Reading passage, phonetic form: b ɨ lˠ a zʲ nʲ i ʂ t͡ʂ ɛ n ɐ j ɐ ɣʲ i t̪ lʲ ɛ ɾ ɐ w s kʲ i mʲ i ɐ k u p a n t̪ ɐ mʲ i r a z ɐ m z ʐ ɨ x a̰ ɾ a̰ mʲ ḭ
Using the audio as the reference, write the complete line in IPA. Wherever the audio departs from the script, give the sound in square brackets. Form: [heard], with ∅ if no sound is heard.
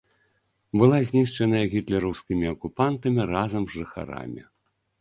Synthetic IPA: b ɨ lˠ a zʲ nʲ i ʂ t͡ʂ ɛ n ɐ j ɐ ɣʲ i t̪ lʲ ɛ ɾ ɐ w s kʲ i mʲ i ɐ k u p a n t̪ ɐ mʲ i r a z ɐ m z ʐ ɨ x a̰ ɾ a̰ mʲ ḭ